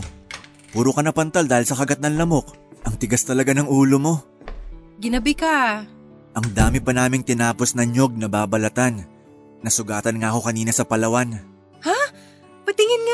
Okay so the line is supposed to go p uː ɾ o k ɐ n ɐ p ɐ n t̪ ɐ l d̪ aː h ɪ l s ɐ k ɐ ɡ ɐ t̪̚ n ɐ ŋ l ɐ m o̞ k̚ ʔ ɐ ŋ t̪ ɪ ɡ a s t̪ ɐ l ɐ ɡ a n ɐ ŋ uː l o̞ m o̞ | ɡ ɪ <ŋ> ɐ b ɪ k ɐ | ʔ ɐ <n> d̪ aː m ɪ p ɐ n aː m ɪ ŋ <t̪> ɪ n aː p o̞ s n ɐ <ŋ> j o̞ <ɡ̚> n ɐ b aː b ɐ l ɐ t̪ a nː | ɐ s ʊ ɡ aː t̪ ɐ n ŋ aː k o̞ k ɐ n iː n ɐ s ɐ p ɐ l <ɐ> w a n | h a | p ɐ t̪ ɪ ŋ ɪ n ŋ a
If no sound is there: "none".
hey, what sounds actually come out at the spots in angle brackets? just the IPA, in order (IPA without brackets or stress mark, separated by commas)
n, ŋ, t̪, ɲ, ɡ̚, ɐ